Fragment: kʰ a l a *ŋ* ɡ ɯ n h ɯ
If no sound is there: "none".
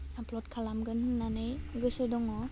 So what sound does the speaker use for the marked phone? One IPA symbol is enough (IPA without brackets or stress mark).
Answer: m